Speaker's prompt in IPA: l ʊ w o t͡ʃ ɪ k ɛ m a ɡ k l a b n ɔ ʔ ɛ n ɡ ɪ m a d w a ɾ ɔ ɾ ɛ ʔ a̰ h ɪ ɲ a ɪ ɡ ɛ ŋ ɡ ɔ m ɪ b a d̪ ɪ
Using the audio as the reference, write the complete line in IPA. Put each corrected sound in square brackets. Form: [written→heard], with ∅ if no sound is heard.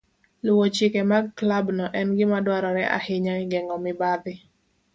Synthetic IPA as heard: l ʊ w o t͡ʃ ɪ k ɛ m a ɡ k l a b n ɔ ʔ ɛ n ɡ ɪ m a d w a ɾ ɔ ɾ ɛ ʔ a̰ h ɪ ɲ a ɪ ɡ ɛ ŋ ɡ ɔ m ɪ b a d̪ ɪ